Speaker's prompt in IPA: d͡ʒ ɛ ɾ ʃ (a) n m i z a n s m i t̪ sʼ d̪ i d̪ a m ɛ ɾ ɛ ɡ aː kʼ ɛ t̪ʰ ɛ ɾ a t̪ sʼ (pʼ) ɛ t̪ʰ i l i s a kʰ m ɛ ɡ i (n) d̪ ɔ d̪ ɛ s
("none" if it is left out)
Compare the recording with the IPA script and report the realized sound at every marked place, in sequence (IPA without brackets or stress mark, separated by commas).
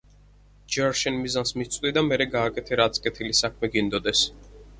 ɛ, kʼ, n